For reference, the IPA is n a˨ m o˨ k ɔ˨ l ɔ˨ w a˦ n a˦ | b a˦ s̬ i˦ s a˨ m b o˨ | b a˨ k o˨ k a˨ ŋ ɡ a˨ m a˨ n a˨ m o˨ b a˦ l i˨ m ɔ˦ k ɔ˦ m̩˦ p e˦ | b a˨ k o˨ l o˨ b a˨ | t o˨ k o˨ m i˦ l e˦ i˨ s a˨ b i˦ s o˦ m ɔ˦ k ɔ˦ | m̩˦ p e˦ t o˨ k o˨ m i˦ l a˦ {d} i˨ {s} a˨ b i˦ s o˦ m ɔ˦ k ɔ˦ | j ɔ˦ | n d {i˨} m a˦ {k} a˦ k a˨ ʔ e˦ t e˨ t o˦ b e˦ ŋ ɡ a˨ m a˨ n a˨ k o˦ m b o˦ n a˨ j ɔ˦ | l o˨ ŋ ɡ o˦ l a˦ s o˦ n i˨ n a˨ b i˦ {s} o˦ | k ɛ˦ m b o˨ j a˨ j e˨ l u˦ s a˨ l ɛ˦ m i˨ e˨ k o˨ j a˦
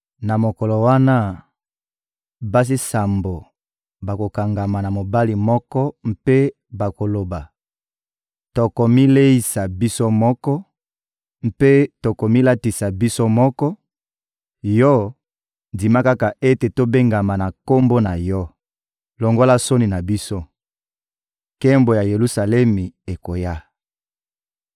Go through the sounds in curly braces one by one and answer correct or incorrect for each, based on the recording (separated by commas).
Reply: incorrect, correct, correct, correct, correct